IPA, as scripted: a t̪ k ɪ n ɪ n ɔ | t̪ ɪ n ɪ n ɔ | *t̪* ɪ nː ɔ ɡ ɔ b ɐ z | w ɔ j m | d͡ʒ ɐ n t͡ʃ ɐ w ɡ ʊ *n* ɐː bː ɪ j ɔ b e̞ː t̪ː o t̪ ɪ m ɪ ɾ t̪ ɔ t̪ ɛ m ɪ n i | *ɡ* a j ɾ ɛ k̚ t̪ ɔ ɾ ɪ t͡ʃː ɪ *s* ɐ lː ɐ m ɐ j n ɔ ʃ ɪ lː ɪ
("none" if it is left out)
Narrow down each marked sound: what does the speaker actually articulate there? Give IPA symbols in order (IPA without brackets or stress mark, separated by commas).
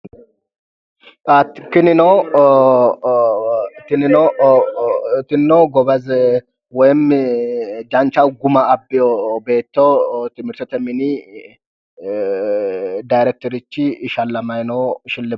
t̪, m, d, ʃ